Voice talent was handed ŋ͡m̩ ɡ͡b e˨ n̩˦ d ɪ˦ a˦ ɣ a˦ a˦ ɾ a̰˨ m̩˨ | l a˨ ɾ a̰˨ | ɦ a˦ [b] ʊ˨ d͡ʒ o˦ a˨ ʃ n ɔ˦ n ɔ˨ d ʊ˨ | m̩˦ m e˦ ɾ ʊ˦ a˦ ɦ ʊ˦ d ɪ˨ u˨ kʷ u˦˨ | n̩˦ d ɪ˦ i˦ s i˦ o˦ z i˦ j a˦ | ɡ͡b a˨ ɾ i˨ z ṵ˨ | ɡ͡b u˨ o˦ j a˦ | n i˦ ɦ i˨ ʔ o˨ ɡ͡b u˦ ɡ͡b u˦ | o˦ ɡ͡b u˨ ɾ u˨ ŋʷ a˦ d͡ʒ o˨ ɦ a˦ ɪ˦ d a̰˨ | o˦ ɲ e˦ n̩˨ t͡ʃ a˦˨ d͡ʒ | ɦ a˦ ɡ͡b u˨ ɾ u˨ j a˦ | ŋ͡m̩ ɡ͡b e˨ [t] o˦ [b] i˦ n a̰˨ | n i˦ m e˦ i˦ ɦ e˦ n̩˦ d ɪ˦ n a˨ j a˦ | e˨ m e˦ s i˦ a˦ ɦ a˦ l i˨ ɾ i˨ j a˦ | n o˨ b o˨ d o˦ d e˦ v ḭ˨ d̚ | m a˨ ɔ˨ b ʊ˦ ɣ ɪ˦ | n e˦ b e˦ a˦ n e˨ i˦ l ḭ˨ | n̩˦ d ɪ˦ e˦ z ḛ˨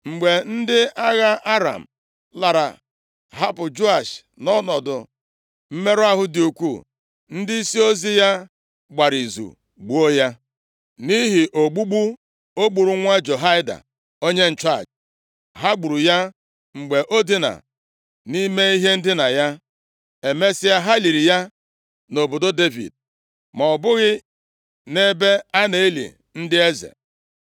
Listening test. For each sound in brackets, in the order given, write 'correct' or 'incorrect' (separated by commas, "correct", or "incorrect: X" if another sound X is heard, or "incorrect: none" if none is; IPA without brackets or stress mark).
incorrect: p, incorrect: ʔ, incorrect: d